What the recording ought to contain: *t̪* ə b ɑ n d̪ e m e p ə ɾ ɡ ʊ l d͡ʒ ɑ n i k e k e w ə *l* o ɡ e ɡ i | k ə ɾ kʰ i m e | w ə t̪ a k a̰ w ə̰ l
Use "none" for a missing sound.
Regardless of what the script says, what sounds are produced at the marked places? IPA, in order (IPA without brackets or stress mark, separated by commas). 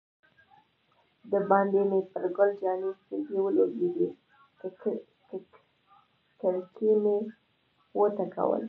d̪, l